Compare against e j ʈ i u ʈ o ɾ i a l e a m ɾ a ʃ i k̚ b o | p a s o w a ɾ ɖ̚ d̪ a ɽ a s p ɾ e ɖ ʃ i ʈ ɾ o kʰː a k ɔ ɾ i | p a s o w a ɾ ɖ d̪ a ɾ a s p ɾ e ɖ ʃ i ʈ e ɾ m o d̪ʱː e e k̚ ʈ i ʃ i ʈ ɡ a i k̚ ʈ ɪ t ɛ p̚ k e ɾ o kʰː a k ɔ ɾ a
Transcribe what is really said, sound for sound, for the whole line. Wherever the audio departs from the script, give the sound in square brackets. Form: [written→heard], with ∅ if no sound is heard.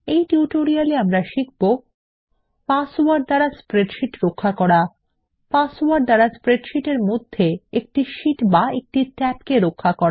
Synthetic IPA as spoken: e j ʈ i u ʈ o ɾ i a l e a m ɾ a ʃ i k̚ b o | p a s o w a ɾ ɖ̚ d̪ a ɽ a s p ɾ e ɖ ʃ i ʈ ɾ o kʰː a k ɔ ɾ [i→a] | p a s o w a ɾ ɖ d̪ a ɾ a s p ɾ e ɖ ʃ i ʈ e ɾ m o d̪ʱː e e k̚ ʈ i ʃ i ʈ [ɡ→b] a [i→e] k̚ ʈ [ɪ→i] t ɛ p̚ k e ɾ o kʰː a k ɔ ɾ a